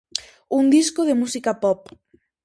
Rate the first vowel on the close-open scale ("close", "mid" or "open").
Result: close